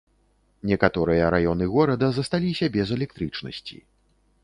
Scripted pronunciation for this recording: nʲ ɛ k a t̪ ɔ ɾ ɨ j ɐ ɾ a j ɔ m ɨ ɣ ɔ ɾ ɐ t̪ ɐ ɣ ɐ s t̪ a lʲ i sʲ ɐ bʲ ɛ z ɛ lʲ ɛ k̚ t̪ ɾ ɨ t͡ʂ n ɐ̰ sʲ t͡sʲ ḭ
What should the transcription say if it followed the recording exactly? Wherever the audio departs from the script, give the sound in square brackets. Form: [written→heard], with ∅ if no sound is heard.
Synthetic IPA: nʲ ɛ k a t̪ ɔ ɾ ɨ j ɐ ɾ a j ɔ [m→n] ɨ ɣ ɔ ɾ ɐ [t̪→d̪] ɐ [ɣ→z] ɐ s t̪ a lʲ i sʲ ɐ bʲ ɛ z ɛ lʲ ɛ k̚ t̪ ɾ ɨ t͡ʂ n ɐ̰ sʲ t͡sʲ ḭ